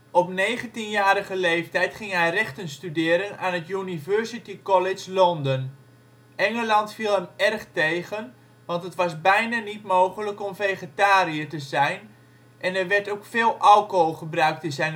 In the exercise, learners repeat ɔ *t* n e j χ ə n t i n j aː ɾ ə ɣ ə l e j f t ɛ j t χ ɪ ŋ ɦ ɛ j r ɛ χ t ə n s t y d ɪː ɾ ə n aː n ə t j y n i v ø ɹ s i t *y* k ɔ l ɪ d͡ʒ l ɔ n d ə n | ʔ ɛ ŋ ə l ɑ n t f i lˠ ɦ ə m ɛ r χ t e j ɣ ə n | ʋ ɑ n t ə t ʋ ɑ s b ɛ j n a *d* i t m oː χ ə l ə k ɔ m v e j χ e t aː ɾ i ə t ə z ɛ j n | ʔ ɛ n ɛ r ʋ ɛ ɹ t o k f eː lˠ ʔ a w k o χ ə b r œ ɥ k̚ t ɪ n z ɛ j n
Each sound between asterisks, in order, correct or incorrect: incorrect, incorrect, incorrect

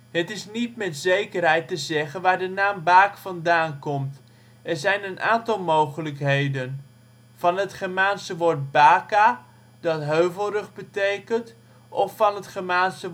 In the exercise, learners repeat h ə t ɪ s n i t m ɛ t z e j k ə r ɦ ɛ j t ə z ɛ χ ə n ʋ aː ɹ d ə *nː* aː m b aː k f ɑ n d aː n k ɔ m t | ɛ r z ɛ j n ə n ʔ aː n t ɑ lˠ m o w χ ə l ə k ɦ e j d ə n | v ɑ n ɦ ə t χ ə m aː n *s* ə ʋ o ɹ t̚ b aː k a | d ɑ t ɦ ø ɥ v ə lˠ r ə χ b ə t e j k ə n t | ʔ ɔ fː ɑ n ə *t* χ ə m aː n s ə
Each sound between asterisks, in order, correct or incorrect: incorrect, correct, correct

